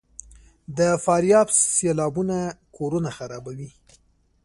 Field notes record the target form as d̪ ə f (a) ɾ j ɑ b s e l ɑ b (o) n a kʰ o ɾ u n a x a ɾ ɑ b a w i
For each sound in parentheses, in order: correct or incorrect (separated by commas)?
incorrect, incorrect